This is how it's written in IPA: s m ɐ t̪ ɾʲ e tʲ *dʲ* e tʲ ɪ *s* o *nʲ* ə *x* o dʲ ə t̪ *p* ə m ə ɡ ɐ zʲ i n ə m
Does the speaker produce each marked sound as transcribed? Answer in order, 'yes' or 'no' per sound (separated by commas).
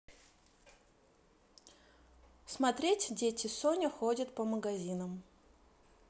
yes, yes, yes, yes, yes